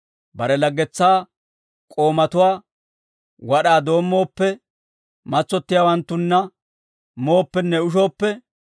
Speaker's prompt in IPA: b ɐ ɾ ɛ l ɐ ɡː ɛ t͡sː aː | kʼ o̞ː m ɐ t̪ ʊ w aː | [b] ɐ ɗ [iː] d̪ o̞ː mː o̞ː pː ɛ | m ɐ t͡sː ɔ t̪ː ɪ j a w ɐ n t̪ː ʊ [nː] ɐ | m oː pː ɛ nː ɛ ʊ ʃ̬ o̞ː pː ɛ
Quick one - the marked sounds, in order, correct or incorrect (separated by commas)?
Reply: incorrect, incorrect, correct